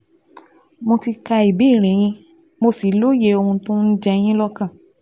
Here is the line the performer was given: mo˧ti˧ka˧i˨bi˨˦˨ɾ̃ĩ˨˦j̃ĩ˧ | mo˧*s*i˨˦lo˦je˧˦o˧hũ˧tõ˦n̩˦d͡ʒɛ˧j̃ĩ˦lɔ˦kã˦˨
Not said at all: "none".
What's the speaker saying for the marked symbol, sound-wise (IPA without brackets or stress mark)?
s